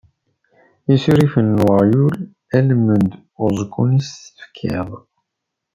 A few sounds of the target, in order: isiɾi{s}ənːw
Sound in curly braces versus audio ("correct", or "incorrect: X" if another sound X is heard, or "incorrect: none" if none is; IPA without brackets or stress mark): incorrect: f